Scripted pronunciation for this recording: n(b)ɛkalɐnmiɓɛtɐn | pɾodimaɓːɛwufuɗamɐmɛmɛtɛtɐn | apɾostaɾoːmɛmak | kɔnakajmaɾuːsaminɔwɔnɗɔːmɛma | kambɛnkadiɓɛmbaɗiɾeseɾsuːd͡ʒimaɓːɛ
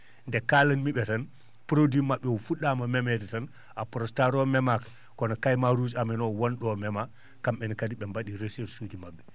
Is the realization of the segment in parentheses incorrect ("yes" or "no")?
yes